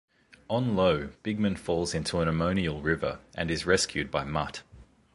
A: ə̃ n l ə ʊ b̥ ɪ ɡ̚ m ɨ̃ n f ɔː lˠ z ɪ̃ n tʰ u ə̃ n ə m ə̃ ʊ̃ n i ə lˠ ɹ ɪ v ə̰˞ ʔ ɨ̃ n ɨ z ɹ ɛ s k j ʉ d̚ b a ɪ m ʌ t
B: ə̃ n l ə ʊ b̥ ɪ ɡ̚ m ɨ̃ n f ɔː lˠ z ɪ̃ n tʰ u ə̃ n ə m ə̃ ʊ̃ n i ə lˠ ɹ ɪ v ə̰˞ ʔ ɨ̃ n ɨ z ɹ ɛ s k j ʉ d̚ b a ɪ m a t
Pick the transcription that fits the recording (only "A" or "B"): A